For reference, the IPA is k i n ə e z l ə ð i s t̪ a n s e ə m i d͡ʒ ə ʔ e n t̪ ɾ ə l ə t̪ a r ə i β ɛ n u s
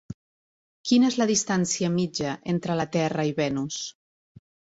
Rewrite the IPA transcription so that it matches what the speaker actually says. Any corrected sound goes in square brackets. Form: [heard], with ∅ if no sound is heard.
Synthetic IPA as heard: k i n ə e z l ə ð i s t̪ a n s [i] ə m i d͡ʒ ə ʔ e n t̪ ɾ ə l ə t̪ [ɛ] r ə i β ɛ n u s